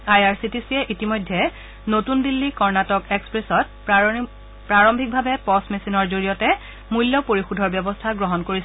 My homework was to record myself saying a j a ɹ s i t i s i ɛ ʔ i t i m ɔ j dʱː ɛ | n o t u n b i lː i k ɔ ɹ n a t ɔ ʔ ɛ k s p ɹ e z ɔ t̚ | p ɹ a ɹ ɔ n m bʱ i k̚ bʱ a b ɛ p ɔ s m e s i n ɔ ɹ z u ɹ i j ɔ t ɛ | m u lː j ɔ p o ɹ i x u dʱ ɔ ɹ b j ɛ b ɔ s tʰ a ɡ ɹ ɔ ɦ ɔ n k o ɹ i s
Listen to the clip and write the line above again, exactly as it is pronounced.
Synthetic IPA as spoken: a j a ɹ s i t i s i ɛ ʔ i t i m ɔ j dʱː ɛ | n o t u n d i lː i k ɔ ɹ n a t ɔ k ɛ k s p ɹ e s ɔ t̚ | p ɹ a ɹ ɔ m bʱ i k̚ bʱ a b ɛ p ɔ s m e s i n ɔ ɹ z o ɹ i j ɔ t ɛ | m u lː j ɔ p o ɹ i x u dʱ ɔ ɹ b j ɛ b ɔ s tʰ a ɡ ɹ ɔ ɦ ɔ n k o ɹ i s